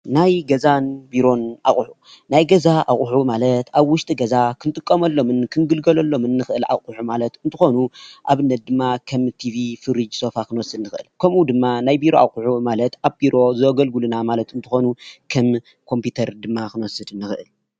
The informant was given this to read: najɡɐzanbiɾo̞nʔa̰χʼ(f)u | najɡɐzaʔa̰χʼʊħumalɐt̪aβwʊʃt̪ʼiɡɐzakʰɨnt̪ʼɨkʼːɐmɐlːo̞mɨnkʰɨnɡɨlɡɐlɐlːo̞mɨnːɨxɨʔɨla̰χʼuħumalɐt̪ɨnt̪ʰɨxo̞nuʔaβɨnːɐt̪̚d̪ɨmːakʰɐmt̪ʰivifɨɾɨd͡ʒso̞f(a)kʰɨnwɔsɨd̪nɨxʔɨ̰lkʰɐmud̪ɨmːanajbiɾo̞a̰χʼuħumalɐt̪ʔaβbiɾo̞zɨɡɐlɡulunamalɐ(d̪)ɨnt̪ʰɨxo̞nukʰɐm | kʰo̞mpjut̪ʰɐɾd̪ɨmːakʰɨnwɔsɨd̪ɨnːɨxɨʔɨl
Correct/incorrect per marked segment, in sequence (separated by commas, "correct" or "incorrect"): incorrect, correct, incorrect